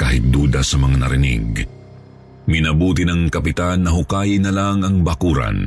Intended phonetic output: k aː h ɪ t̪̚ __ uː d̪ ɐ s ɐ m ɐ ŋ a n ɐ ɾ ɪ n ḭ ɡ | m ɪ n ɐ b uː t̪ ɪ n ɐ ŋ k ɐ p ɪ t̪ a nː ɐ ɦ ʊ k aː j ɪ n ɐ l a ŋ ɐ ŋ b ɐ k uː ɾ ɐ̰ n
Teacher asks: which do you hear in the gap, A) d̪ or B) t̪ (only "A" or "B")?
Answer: A